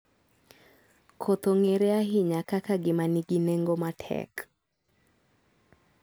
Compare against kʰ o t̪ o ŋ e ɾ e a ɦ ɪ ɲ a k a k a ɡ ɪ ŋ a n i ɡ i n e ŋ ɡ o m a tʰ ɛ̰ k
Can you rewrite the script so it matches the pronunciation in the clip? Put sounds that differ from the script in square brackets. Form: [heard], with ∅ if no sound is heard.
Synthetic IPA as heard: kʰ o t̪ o ŋ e ɾ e a ɦ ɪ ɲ a k a k a ɡ ɪ [m] a n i ɡ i n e ŋ ɡ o m a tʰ ɛ̰ k